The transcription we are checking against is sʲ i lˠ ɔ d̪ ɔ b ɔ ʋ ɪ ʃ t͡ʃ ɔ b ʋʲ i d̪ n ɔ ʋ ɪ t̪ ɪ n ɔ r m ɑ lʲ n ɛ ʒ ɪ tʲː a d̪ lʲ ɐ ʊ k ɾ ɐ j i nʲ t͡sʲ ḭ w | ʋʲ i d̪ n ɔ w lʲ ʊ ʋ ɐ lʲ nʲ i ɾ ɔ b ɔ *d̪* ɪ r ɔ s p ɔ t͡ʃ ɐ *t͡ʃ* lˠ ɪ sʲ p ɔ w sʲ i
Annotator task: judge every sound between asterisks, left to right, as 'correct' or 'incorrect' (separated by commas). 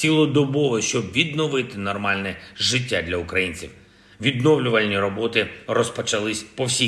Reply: incorrect, incorrect